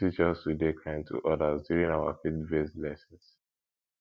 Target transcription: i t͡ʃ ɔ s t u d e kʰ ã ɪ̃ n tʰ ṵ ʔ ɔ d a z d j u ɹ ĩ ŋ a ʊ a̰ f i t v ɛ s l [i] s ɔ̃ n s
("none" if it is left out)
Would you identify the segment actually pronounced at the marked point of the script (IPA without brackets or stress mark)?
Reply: ɛ